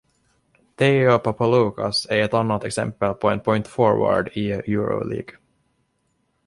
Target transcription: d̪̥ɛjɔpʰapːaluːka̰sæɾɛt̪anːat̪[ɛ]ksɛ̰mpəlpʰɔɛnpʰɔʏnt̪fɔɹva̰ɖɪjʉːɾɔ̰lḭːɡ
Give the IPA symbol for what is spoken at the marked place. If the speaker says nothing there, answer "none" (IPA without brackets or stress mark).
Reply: ɛ